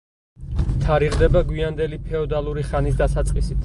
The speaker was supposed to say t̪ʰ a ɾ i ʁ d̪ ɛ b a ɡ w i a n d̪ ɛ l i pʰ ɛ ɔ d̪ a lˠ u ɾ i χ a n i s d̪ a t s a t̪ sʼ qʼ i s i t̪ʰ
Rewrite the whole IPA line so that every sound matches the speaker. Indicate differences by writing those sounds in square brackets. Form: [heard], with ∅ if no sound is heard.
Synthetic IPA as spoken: t̪ʰ a ɾ i ʁ d̪ ɛ b a ɡ w i a n d̪ ɛ l i pʰ ɛ ɔ d̪ a lˠ u ɾ i χ a n i s d̪ a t s a t̪ sʼ qʼ i s i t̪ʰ